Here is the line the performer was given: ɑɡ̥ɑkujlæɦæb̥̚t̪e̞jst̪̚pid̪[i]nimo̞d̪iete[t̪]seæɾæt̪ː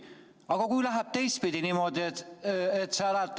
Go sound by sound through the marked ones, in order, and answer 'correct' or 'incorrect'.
correct, correct

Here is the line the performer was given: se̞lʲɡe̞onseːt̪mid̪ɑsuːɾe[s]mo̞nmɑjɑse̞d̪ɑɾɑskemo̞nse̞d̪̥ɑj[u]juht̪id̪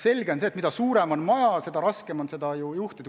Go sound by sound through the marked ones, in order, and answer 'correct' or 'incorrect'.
incorrect, correct

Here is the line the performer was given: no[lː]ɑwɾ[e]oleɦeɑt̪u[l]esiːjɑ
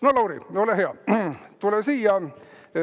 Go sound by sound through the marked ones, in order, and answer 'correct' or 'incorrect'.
incorrect, incorrect, correct

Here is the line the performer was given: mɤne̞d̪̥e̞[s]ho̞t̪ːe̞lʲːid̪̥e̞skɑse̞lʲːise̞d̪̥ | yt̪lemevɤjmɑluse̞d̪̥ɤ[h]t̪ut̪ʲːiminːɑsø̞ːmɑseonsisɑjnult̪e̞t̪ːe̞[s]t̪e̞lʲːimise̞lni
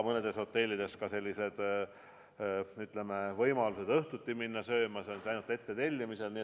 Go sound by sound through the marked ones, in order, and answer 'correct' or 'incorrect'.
correct, correct, incorrect

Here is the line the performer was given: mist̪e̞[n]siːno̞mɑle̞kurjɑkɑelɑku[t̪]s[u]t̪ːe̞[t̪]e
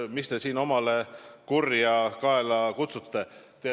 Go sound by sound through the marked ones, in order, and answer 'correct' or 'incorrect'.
incorrect, correct, correct, correct

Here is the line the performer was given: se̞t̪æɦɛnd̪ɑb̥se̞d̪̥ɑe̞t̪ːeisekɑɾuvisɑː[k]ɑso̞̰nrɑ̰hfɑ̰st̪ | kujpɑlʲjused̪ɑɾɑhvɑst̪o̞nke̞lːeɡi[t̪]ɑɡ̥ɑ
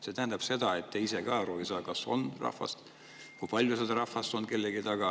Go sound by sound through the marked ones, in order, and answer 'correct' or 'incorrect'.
correct, correct

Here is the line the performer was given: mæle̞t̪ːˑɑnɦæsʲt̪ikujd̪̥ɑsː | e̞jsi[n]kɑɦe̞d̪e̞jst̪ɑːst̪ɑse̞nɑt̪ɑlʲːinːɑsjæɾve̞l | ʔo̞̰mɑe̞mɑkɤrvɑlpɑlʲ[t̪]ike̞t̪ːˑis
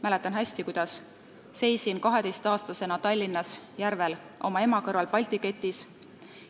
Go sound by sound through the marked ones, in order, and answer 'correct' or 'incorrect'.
correct, correct

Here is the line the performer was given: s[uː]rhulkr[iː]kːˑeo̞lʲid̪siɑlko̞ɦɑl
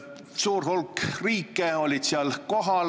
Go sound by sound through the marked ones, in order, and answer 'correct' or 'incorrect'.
correct, correct

